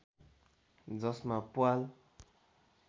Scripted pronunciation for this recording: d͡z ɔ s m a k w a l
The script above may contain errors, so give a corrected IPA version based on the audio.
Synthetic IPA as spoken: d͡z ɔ s m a p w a l